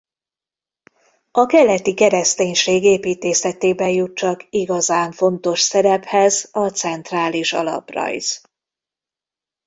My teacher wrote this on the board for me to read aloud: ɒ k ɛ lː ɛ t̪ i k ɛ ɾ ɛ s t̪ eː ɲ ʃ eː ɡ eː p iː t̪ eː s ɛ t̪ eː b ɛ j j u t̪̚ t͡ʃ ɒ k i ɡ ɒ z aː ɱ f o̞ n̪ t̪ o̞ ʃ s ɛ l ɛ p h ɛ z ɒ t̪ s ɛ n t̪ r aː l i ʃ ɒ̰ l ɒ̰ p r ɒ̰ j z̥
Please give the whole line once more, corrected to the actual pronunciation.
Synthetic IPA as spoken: ɒ k ɛ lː ɛ t̪ i k ɛ ɾ ɛ s t̪ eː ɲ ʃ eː ɡ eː p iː t̪ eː s ɛ t̪ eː b ɛ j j u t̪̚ t͡ʃ ɒ k i ɡ ɒ z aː ɱ f o̞ n̪ t̪ o̞ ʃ s ɛ ɾ ɛ p h ɛ z ɒ t̪ s ɛ n t̪ r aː l i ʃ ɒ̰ l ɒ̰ p r ɒ̰ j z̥